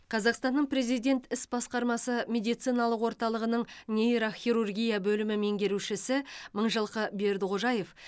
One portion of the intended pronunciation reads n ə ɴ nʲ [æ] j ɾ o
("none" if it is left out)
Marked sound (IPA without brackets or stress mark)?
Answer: e